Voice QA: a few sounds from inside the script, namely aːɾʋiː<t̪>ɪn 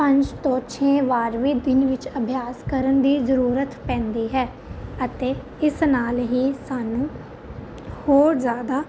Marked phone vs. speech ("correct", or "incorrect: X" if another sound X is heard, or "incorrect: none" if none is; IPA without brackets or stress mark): incorrect: d̪